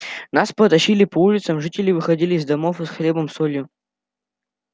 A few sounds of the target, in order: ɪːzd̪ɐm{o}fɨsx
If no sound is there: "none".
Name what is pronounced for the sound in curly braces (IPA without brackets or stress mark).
o